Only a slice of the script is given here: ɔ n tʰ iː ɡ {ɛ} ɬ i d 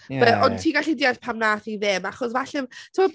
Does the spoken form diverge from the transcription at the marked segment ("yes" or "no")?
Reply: yes